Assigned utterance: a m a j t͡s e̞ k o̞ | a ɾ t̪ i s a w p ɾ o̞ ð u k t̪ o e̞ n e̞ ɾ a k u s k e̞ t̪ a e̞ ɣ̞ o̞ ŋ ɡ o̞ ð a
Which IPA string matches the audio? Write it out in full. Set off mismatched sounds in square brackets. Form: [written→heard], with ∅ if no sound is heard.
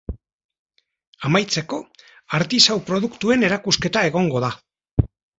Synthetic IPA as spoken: a m a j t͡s e̞ k o̞ | a ɾ t̪ i s a w p ɾ o̞ ð u k t̪ [o→u] e̞ n e̞ ɾ a k u s k e̞ t̪ a e̞ ɣ̞ o̞ ŋ ɡ o̞ ð a

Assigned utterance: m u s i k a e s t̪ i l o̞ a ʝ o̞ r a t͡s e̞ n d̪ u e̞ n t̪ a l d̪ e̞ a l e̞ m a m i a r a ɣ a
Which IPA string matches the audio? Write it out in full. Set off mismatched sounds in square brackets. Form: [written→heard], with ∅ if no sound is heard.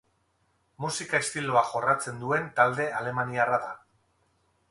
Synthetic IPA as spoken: m u s i k a e s t̪ i l o̞ a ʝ o̞ r a t͡s e̞ n d̪ u e̞ n t̪ a l d̪ e̞ a l e̞ m a [m→n] i a r a [ɣ→ð] a

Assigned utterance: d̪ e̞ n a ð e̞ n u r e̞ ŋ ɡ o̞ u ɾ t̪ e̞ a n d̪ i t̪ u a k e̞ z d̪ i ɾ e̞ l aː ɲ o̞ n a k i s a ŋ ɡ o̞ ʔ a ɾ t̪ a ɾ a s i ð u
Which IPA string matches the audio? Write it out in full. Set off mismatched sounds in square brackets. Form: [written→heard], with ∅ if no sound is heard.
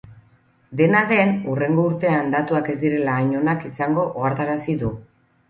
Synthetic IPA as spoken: d̪ e̞ n a ð e̞ n u r e̞ ŋ ɡ o̞ u ɾ t̪ e̞ a n d̪ [i→a] t̪ u a k e̞ z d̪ i ɾ e̞ l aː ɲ o̞ n a k i s a ŋ ɡ o̞ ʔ a ɾ t̪ a ɾ a s i ð u

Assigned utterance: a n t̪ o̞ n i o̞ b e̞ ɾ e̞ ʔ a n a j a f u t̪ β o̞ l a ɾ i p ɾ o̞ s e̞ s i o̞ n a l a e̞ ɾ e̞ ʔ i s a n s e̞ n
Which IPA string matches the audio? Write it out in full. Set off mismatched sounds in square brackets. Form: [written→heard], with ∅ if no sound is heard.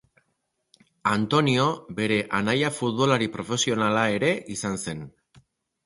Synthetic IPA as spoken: a n t̪ o̞ n i o̞ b e̞ ɾ e̞ ʔ a n a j a f u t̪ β o̞ l a ɾ i p ɾ o̞ [s→f] e̞ s i o̞ n a l a e̞ ɾ e̞ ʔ i s a n s e̞ n

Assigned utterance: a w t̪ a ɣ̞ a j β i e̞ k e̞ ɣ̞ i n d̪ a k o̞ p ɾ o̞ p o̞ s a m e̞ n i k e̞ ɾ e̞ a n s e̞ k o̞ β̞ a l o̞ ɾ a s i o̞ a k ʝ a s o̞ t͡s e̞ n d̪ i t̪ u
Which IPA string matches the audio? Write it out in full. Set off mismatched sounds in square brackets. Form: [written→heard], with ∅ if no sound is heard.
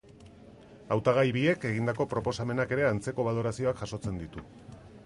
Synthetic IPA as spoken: a w t̪ a ɣ̞ a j β i e̞ k e̞ ɣ̞ i n d̪ a k o̞ p ɾ o̞ p o̞ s a m e̞ n [i→a] k e̞ ɾ e̞ a n [s→t͡s] e̞ k o̞ β̞ a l o̞ ɾ a s i o̞ a k ʝ a s o̞ t͡s e̞ n d̪ i t̪ u

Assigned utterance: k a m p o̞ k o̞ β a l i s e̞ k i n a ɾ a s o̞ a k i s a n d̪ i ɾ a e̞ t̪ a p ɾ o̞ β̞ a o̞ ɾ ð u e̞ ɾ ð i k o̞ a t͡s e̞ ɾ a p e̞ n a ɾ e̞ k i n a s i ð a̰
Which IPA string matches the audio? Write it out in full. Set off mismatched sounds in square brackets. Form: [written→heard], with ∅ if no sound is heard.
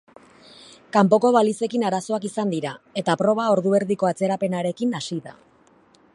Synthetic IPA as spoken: k a m p o̞ k o̞ β a l i s e̞ k i n a ɾ a s o̞ a k i s a n d̪ i ɾ a e̞ t̪ a p ɾ o̞ β̞ a o̞ ɾ ð u e̞ ɾ ð i k o̞ a t͡s e̞ ɾ a p e̞ n a ɾ e̞ k i n a s i ð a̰

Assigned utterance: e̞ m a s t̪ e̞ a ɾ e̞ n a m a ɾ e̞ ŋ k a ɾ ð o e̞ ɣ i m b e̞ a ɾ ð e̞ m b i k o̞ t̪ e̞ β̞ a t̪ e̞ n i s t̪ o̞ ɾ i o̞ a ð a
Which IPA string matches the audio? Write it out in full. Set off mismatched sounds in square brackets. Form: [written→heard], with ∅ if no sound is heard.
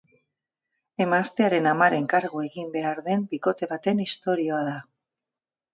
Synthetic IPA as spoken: e̞ m a s t̪ e̞ a ɾ e̞ n a m a ɾ e̞ ŋ k a ɾ [ð→ɣ] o e̞ ɣ i m b e̞ a ɾ ð e̞ m b i k o̞ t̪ e̞ β̞ a t̪ e̞ n i s t̪ o̞ ɾ i o̞ a ð a

